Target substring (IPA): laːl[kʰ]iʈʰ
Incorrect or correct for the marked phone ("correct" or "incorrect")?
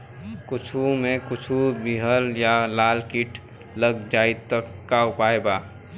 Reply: incorrect